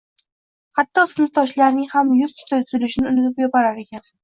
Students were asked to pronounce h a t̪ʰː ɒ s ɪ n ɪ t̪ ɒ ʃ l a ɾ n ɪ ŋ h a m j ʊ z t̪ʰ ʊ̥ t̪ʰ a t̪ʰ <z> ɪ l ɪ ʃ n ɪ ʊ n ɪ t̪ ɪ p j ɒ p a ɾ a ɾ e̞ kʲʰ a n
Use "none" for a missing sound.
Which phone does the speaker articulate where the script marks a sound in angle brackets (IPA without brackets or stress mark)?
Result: z